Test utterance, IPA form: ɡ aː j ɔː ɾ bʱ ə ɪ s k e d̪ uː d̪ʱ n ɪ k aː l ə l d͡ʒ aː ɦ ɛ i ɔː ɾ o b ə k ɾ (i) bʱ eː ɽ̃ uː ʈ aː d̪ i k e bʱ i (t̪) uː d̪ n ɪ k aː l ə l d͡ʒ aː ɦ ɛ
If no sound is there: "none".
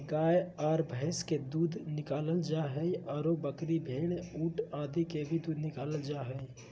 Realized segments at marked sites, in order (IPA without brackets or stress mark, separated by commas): i, d̪